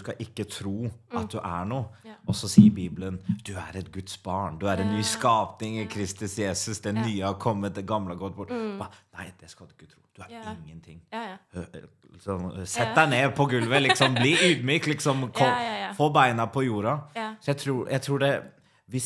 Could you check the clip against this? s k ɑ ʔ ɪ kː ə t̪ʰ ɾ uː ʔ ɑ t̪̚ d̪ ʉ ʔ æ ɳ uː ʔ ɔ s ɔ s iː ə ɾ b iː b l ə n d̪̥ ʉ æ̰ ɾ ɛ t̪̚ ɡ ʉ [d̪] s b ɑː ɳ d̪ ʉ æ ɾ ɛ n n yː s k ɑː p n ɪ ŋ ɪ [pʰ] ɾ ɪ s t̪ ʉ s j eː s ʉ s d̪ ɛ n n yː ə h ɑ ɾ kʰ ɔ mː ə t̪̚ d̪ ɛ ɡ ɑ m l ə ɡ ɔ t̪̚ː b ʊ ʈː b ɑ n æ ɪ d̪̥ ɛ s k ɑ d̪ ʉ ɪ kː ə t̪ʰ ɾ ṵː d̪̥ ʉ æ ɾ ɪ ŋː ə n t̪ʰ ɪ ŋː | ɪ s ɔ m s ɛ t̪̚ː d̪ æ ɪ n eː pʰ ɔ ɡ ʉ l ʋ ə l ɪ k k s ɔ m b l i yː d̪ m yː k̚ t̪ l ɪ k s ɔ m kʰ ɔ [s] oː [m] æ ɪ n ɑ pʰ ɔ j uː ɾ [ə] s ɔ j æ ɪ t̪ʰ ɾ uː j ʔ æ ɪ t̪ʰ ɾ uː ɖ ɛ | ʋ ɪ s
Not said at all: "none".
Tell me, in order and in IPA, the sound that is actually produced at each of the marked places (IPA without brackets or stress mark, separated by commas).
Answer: t̪, kʰ, f, b, ɑ